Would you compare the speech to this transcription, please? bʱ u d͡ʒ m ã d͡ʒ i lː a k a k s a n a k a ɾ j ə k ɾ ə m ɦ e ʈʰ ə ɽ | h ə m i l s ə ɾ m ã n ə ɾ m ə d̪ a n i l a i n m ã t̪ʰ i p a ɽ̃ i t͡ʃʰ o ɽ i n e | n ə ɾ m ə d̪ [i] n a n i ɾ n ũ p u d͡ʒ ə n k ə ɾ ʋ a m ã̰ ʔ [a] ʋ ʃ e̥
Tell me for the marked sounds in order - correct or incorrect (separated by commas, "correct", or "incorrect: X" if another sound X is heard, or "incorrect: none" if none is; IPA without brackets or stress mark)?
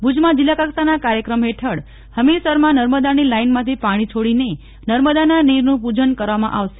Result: incorrect: a, correct